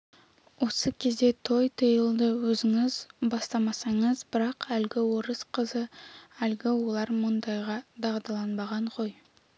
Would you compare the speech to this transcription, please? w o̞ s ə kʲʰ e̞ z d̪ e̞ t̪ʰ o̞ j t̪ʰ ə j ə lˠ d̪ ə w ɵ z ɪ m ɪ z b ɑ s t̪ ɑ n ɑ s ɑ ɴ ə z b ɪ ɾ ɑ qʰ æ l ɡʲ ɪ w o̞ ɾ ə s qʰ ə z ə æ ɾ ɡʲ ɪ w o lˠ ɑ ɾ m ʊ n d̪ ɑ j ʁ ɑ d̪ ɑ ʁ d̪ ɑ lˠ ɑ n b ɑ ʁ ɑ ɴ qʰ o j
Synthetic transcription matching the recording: w o̞ s ə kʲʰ e̞ z d̪ e̞ t̪ʰ o̞ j t̪ʰ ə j ə lˠ d̪ ə w ɵ z ɪ ŋ ɪ z b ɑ s t̪ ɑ m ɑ s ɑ ɴ ə z b ɪ ɾ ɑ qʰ æ l ɡʲ ɪ w o̞ ɾ ə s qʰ ə z ə æ l ɡʲ ɪ w o lˠ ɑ ɾ m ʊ n d̪ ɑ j ʁ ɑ d̪ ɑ ʁ d̪ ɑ lˠ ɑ n b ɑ ʁ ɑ ɴ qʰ o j